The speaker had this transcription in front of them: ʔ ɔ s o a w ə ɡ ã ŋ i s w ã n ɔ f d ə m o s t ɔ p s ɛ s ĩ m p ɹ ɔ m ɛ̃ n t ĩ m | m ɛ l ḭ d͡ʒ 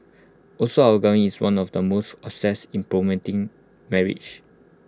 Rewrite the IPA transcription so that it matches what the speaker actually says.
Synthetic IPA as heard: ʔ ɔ s o a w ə ɡ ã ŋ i s w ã n ɔ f d ə m o s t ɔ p s ɛ s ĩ m p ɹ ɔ m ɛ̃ n t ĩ ŋ | m ɛ ɹ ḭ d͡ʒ